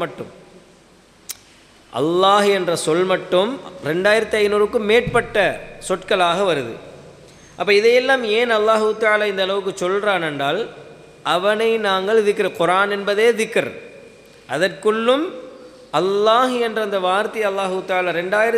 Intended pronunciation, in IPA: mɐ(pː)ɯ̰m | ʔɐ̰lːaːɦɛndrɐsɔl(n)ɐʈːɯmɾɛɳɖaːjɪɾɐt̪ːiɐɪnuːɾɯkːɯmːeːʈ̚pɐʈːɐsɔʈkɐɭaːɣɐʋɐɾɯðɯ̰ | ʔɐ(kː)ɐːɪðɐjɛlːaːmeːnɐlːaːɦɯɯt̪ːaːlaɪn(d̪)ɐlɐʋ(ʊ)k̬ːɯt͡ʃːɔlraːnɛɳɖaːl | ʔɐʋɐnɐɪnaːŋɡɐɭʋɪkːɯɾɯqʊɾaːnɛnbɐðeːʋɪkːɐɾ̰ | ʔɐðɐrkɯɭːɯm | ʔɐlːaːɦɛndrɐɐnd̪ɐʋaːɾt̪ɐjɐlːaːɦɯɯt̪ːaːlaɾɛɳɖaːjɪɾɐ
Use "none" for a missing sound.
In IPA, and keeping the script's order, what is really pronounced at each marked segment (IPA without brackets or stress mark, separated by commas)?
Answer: ʈː, m, pː, d̪, ɯ